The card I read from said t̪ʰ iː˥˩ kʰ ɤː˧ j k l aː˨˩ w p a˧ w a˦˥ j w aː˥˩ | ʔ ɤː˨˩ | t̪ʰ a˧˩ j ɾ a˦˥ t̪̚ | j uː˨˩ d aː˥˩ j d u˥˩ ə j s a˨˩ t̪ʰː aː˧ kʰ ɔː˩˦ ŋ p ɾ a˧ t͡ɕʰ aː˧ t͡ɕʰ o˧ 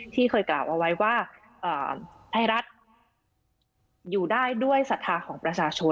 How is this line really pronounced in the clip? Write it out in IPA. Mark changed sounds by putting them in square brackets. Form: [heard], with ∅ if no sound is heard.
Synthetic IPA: t̪ʰ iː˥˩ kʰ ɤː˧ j k l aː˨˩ w [ʔ] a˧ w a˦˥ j w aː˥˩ | ʔ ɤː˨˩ | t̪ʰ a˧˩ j ɾ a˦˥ t̪̚ | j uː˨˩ d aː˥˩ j d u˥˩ ə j s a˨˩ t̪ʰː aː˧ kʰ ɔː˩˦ ŋ p ɾ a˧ t͡ɕʰ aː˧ t͡ɕʰ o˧